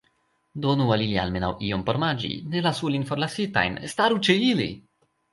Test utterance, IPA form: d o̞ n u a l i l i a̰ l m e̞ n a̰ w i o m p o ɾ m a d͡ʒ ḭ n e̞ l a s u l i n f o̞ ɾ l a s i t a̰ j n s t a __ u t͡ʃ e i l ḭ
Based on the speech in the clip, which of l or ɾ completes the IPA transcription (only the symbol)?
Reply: ɾ